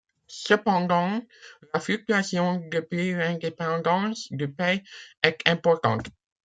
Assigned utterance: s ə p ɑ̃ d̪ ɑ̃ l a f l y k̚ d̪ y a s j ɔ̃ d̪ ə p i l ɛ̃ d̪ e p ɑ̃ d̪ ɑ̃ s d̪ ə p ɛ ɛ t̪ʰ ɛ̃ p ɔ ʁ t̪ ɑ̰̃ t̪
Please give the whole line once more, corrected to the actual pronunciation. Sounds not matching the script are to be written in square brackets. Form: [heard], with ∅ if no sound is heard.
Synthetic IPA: s ə p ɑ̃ d̪ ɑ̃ l a f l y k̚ [t̪] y a s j ɔ̃ d̪ ə p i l ɛ̃ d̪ e p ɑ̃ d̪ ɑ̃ s d̪ ə p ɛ ɛ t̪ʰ ɛ̃ p ɔ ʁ t̪ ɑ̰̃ t̪